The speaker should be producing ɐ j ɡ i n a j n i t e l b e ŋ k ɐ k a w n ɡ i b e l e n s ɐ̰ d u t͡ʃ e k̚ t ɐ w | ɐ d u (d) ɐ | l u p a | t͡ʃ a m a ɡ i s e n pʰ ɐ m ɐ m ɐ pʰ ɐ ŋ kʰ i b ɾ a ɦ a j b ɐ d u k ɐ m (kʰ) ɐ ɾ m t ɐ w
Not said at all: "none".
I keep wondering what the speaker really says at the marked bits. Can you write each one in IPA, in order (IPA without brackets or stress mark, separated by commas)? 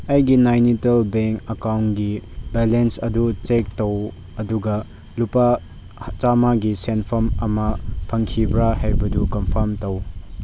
ɡ, pʰ